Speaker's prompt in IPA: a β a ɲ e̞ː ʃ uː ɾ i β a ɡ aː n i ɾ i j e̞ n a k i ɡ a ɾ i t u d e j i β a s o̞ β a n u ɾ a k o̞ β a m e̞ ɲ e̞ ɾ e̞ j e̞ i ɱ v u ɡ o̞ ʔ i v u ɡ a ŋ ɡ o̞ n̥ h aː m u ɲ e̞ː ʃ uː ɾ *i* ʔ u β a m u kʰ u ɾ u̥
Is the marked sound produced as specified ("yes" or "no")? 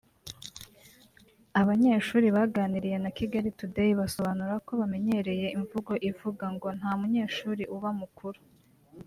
yes